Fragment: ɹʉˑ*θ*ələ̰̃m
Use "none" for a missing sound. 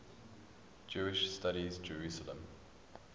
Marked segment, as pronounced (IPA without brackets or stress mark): s